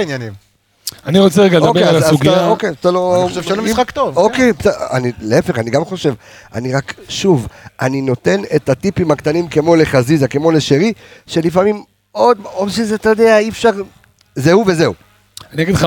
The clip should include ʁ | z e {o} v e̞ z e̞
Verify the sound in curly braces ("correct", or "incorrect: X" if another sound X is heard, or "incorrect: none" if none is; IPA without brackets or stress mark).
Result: incorrect: u